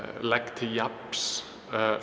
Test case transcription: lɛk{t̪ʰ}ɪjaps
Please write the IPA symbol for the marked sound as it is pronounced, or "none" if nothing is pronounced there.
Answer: t̪ʰ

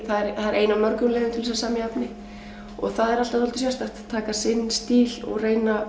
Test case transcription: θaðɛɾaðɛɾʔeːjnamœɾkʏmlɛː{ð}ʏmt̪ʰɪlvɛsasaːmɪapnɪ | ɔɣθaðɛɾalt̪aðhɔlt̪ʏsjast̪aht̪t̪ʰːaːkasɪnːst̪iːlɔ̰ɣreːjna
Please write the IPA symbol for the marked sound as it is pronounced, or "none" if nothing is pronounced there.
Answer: ð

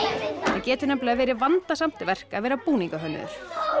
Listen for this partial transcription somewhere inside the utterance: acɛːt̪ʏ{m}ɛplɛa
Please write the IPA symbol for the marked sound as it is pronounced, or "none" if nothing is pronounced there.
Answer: n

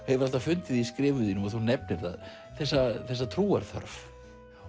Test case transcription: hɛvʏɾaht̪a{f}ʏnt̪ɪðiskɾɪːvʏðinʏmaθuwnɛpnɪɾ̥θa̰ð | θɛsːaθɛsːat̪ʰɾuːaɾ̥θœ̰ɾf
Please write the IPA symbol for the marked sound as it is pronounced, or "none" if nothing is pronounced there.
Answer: f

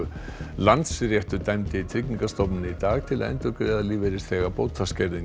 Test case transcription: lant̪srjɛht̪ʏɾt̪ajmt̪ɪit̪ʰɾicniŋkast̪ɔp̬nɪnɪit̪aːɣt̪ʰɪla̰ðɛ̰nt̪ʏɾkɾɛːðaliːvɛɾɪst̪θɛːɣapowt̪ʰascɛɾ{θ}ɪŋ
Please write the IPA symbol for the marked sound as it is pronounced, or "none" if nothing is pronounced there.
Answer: ð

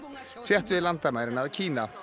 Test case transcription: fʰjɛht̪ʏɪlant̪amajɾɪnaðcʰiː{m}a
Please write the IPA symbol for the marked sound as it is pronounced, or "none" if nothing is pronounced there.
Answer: n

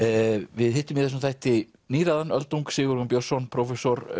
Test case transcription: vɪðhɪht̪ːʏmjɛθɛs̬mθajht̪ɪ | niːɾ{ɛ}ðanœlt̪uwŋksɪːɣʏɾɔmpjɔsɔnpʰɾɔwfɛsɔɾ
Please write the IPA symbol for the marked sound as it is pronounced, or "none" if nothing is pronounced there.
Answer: a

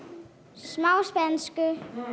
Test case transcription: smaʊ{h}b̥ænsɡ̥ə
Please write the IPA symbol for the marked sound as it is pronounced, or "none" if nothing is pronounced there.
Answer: s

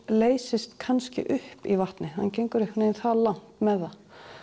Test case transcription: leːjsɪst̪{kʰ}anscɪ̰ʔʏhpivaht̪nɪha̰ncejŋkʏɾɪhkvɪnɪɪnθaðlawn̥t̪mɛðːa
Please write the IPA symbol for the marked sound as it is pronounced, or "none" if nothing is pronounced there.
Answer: kʰ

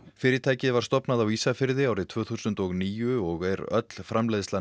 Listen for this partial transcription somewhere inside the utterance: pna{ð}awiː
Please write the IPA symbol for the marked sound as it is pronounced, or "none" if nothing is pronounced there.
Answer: ð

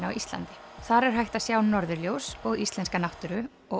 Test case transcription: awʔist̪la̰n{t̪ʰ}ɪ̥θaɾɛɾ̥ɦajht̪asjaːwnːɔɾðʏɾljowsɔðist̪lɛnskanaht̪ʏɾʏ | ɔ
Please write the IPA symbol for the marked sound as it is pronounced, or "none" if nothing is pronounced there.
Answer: t̪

